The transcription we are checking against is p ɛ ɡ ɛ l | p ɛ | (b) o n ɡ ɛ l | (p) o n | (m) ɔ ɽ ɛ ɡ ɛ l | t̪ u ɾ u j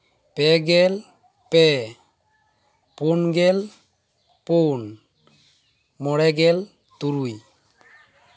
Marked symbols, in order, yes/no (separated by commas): no, yes, yes